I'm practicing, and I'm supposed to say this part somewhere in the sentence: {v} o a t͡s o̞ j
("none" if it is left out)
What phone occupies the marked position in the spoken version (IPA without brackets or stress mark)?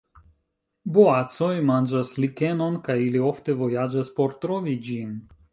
b